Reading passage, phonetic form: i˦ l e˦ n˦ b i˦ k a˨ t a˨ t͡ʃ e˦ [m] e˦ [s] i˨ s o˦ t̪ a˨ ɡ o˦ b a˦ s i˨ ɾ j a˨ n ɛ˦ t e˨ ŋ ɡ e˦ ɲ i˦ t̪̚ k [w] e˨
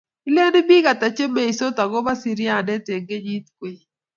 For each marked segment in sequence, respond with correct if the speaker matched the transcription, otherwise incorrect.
correct, incorrect, correct

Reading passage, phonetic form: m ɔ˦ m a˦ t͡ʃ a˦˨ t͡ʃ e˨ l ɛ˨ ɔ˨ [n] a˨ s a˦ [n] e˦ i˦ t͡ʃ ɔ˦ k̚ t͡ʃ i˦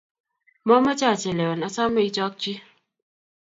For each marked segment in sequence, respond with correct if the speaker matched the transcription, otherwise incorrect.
correct, incorrect

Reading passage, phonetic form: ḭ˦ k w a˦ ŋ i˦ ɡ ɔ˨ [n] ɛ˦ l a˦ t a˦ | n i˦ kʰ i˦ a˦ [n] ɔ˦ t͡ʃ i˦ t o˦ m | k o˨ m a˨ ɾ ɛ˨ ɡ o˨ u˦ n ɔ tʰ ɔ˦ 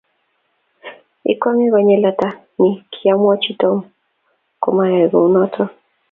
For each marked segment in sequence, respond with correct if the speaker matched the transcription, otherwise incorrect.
incorrect, incorrect

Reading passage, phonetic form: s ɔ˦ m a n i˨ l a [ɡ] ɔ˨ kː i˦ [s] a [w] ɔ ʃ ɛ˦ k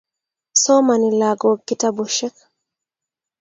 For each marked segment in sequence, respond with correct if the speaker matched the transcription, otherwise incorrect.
correct, incorrect, incorrect

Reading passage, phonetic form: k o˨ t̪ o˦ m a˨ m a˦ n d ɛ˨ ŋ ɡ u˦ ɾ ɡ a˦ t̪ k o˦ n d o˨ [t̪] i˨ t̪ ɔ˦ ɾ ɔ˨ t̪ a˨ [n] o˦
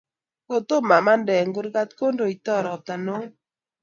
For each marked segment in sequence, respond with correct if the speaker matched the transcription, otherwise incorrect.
incorrect, correct

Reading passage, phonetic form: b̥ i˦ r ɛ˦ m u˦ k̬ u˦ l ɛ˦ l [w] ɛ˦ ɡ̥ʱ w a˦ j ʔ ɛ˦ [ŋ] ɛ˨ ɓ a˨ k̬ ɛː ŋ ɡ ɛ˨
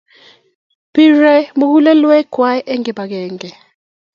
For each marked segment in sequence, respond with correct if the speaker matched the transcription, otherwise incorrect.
correct, correct

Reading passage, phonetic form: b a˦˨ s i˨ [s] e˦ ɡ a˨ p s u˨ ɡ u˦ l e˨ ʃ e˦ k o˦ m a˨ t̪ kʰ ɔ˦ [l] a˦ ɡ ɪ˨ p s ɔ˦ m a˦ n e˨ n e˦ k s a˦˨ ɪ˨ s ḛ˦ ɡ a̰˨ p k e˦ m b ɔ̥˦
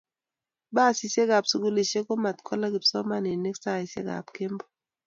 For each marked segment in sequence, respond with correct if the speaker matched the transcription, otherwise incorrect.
correct, correct

